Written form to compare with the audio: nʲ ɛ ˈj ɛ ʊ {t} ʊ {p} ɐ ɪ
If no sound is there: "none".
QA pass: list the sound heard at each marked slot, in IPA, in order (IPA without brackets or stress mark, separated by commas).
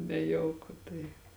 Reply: k, t